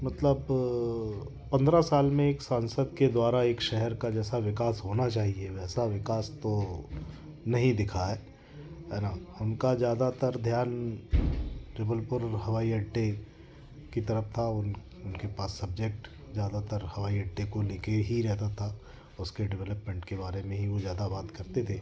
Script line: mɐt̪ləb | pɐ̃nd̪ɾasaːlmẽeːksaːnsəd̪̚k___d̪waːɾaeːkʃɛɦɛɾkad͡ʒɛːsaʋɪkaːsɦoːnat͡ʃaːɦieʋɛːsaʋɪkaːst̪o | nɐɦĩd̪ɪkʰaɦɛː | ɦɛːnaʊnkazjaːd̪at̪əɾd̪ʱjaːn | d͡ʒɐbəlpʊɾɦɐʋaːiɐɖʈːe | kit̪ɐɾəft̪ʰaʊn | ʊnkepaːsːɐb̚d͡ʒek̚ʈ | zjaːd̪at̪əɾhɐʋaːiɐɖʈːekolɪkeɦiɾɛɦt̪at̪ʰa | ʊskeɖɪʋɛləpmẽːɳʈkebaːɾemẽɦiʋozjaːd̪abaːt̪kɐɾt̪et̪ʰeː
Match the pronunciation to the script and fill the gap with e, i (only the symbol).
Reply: e